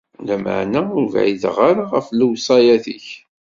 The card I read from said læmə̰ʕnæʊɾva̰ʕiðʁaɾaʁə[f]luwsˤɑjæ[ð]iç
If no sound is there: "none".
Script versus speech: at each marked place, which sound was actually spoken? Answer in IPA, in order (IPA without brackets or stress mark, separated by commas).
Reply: f, θ